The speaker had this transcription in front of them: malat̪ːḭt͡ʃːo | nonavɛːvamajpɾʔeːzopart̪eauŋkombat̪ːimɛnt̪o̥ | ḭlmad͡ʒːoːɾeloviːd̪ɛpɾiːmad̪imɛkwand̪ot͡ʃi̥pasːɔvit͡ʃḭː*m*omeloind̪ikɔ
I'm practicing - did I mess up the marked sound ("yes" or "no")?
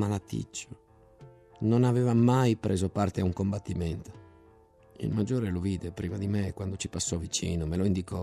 yes